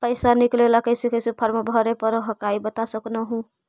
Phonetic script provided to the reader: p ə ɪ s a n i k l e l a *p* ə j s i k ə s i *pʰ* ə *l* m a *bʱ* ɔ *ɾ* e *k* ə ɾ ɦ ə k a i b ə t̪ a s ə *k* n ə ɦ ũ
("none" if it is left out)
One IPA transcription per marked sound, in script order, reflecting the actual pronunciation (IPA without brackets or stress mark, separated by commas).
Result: k, pʰ, ɾ, bʱ, ɾ, p, k